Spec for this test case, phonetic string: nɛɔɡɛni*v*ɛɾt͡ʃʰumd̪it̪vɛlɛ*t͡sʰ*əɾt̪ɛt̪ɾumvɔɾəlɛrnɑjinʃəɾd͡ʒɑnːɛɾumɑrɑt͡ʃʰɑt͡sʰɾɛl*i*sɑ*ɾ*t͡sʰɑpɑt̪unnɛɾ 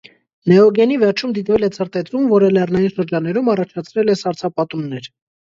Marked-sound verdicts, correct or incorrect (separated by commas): correct, correct, incorrect, correct